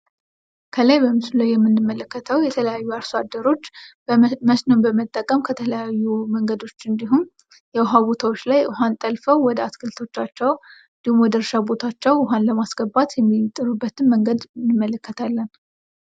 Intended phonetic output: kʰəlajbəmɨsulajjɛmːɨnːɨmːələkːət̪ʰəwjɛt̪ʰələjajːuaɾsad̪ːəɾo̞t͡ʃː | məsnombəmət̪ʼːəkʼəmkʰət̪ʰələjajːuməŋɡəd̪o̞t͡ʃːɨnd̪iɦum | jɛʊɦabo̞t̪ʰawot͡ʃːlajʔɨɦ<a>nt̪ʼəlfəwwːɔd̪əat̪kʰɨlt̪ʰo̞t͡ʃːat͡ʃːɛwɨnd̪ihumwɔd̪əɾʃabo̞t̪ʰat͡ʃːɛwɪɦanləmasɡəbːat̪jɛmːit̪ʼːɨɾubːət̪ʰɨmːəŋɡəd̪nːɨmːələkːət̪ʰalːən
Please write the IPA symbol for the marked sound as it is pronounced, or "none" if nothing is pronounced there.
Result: a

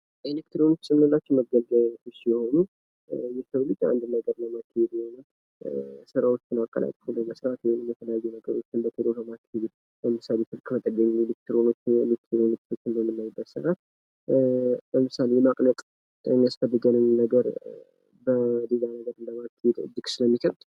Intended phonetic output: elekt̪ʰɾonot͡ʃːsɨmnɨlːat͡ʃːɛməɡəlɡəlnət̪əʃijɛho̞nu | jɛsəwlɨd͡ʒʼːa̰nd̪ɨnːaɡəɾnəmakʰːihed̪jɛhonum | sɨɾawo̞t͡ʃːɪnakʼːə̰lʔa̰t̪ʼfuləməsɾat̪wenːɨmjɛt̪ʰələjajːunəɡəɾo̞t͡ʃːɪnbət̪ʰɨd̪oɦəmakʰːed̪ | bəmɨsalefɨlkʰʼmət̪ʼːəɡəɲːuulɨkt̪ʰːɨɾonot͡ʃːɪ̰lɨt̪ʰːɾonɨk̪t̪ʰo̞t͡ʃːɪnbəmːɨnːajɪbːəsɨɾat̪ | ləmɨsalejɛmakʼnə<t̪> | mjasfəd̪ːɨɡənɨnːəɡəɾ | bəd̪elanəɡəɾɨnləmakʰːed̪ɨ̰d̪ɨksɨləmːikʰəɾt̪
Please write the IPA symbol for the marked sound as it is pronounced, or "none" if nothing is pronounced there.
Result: t̪ʼ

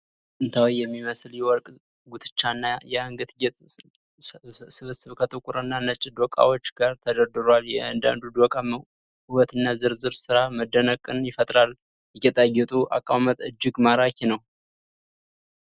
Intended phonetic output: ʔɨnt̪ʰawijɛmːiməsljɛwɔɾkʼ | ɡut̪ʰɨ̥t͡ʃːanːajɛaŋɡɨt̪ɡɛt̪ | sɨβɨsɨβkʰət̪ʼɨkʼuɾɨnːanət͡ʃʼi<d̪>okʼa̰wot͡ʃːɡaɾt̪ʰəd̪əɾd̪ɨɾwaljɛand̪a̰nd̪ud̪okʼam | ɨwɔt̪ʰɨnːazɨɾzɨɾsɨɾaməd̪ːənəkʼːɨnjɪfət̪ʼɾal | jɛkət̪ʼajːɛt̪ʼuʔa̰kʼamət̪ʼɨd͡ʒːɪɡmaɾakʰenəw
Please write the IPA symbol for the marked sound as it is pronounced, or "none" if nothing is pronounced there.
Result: d̪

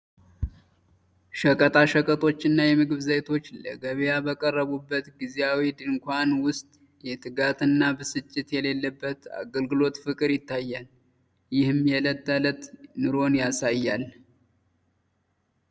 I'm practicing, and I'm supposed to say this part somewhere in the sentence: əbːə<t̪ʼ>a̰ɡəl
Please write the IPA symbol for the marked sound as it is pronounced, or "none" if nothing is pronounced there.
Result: t̪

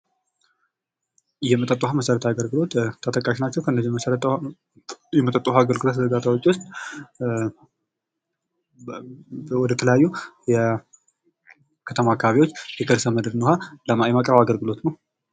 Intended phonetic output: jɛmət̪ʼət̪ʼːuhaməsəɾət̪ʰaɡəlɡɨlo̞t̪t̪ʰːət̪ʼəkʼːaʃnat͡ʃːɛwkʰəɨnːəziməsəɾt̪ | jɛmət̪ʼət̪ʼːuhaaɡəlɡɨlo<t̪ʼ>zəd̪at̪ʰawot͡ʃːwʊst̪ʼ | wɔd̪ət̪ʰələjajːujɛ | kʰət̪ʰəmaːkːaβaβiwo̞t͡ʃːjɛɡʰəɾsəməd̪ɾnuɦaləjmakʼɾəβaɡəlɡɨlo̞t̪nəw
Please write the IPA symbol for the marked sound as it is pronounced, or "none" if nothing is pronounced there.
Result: t̪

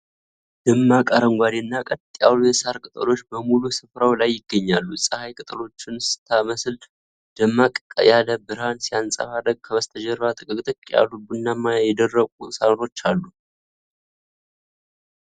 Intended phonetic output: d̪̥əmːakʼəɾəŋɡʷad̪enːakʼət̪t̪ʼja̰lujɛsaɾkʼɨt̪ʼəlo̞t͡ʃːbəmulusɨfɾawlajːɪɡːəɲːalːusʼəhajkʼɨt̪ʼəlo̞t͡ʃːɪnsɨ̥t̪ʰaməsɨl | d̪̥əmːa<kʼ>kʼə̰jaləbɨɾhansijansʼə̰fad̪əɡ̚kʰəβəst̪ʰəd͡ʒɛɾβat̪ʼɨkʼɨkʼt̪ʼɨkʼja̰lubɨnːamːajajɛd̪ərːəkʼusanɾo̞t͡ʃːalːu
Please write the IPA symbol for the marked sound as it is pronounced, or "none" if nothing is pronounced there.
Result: kʼ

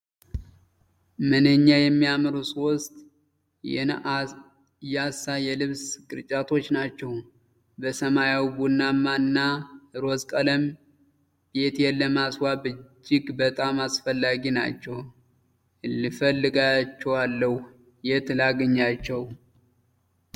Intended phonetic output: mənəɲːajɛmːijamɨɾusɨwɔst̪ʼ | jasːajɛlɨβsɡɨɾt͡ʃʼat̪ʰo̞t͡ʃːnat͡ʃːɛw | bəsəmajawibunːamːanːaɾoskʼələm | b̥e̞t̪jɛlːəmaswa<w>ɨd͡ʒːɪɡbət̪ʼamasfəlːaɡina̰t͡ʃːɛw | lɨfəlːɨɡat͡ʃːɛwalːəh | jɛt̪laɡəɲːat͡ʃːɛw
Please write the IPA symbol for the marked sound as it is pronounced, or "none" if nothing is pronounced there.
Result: b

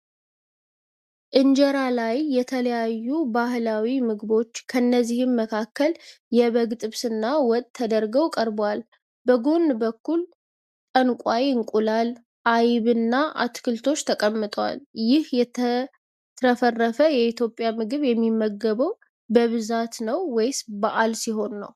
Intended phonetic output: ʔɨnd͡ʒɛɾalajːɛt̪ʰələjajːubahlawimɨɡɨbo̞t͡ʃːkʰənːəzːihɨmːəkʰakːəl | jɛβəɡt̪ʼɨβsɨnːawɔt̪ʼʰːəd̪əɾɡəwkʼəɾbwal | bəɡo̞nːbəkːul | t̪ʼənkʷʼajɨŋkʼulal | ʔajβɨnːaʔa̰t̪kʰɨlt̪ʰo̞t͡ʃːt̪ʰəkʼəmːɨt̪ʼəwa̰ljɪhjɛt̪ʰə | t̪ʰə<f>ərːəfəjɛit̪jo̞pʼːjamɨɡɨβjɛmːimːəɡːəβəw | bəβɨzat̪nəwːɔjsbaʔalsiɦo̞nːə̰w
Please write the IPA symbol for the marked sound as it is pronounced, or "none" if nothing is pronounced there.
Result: f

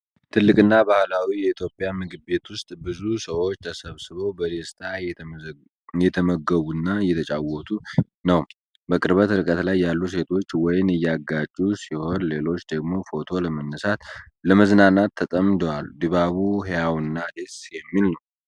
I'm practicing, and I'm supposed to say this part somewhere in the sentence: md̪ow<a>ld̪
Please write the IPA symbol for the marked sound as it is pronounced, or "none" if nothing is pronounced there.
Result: a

